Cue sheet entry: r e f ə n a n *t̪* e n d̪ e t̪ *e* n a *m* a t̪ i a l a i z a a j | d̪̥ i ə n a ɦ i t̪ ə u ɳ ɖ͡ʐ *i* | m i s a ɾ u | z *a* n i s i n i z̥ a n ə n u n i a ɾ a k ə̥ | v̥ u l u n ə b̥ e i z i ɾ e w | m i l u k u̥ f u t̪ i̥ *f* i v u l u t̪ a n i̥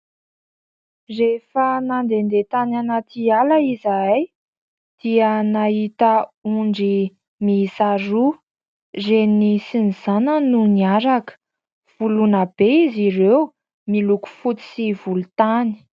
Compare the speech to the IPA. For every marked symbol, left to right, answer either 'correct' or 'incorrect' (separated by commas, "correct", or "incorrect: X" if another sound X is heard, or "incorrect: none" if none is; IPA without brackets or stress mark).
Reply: incorrect: d̪, incorrect: a, incorrect: n, correct, incorrect: e, incorrect: s